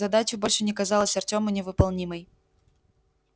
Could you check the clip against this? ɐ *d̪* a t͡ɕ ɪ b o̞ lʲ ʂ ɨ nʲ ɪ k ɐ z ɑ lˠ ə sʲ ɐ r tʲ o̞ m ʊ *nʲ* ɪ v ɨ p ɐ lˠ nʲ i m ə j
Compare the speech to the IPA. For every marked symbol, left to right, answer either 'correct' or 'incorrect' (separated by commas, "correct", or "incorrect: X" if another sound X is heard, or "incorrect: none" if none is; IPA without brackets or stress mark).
correct, correct